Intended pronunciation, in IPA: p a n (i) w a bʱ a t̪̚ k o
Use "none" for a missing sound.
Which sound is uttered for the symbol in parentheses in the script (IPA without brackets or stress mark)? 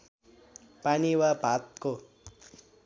i